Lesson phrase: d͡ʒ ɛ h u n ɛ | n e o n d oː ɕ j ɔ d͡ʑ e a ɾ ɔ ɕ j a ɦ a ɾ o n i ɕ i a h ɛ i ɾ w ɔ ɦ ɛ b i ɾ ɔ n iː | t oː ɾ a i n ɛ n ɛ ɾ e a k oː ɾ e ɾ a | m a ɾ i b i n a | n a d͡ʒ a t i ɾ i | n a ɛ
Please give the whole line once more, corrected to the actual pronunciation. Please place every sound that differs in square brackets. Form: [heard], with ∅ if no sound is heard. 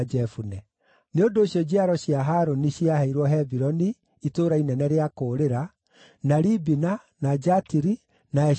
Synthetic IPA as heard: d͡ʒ ɛ [f] u n ɛ | n e o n d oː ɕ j ɔ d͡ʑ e a ɾ ɔ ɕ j a ɦ a ɾ o n i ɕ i a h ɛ i ɾ w ɔ ɦ ɛ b i ɾ ɔ n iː | t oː ɾ a i n ɛ n ɛ ɾ e a k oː ɾ e ɾ a | [n] a ɾ i b i n a | n a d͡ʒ a t i ɾ i | n a ɛ